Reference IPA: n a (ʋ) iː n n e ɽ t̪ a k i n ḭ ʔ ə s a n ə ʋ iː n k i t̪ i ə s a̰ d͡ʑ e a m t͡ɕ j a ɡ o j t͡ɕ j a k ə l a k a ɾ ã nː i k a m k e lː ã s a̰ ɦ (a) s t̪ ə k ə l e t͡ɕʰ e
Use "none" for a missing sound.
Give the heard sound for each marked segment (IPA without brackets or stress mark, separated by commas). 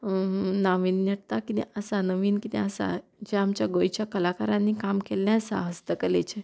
ʋ, ə